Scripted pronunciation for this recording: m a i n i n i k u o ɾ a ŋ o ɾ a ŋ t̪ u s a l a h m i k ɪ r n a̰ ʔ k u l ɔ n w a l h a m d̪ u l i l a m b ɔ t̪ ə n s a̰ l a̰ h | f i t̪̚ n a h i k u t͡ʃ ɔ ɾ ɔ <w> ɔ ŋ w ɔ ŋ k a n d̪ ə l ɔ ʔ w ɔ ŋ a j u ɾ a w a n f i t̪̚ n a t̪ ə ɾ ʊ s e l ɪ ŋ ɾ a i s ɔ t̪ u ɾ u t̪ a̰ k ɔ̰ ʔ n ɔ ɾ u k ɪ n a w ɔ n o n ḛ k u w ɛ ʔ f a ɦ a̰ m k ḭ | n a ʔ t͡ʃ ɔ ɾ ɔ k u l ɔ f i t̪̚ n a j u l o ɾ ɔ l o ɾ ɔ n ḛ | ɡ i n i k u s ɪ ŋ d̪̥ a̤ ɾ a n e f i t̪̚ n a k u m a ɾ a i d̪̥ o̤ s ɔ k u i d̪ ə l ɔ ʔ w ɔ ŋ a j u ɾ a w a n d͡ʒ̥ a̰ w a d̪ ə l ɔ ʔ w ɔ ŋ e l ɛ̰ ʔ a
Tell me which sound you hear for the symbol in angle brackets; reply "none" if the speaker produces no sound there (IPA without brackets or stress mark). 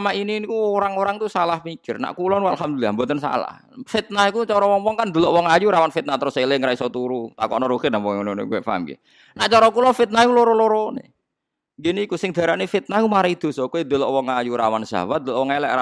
w